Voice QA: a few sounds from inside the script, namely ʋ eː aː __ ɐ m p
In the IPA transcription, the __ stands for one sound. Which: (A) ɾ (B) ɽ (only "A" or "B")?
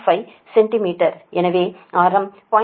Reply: A